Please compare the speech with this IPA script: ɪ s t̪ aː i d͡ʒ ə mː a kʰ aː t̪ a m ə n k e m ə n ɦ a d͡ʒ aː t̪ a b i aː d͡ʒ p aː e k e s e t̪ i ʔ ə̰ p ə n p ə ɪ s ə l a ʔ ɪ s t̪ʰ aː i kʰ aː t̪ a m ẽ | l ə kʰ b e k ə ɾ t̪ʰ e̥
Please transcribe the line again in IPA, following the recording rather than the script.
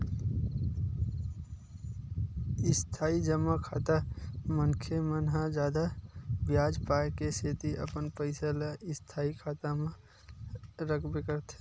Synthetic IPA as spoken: ɪ s t̪ʰ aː i d͡ʒ ə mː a kʰ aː t̪ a m ə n kʰ e m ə n ɦ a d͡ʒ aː d̪ a b j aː d͡ʒ p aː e k e s e t̪ i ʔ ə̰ p ə n p ə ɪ s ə l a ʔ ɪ s t̪ʰ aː i kʰ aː t̪ a m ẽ | ɾ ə kʰ b e k ə ɾ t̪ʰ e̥